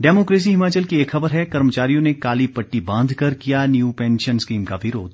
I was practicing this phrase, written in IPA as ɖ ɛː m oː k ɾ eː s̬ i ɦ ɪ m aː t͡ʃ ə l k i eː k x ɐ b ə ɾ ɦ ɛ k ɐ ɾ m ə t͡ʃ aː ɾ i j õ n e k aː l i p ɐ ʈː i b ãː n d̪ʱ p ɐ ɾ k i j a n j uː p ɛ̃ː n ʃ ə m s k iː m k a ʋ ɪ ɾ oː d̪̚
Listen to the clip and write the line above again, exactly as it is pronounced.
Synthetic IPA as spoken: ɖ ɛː m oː k ɾ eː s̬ i ɦ ɪ m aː t͡ʃ ə l k i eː k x ɐ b ə ɾ ɦ ɛ k ɐ ɾ m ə t͡ʃ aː ɾ i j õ n e k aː l i p ɐ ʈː i b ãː n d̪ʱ k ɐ ɾ k i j a n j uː p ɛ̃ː n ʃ ə n s k iː m k a ʋ ɪ ɾ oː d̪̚